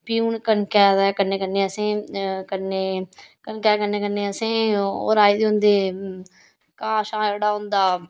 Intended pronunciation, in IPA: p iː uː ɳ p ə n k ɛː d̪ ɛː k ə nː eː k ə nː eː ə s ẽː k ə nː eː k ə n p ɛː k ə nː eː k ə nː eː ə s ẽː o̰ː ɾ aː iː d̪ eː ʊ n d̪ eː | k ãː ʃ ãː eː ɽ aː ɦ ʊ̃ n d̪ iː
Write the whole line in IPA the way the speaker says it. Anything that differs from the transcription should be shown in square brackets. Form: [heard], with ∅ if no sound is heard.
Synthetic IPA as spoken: p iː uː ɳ [k] ə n k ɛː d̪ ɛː k ə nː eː k ə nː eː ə s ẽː k ə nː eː k ə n [k] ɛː k ə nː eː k ə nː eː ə s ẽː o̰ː ɾ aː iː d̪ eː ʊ n d̪ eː | k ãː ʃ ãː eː ɽ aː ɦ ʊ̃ n d̪ [aː]